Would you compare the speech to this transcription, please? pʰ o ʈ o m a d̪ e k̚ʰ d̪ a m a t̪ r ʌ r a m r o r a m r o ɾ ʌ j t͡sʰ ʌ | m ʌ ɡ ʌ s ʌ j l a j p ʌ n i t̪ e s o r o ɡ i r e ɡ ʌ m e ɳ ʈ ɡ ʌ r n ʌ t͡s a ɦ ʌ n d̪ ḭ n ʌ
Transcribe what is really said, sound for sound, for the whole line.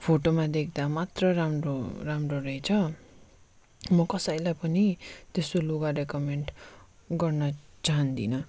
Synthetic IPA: pʰ o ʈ o m a d̪ e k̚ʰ d̪ a m a t̪ r ʌ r a m r o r a m r o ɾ ʌ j t͡sʰ ʌ | m ʌ k ʌ s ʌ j l a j p ʌ n i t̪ e s o l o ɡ a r e k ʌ m e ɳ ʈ ɡ ʌ r n ʌ t͡s a ɦ ʌ n d̪ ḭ n ʌ